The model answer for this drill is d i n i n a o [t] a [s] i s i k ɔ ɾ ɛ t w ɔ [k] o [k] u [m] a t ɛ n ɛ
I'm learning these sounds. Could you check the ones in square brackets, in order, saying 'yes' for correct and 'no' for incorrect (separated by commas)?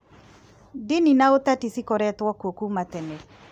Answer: yes, no, yes, yes, yes